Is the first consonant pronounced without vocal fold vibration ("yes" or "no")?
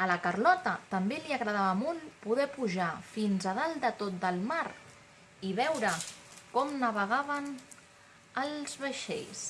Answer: no